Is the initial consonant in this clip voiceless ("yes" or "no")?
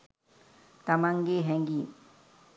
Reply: yes